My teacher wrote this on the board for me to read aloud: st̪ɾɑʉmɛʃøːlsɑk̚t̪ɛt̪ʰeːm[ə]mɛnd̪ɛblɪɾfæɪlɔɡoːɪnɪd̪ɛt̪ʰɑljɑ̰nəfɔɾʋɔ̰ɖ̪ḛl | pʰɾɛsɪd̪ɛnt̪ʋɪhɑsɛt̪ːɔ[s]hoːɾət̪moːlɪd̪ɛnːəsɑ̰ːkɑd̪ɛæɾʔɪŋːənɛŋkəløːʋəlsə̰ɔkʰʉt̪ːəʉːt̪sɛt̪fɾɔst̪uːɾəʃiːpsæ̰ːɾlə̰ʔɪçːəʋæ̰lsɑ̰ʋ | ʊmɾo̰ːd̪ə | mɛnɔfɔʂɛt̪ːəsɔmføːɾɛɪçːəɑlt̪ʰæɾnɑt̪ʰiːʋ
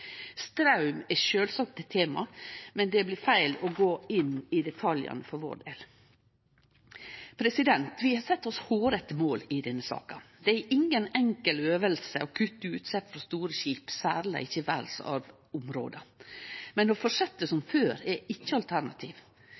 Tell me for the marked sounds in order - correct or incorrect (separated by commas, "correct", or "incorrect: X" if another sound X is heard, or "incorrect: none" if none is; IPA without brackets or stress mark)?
incorrect: ɑ, correct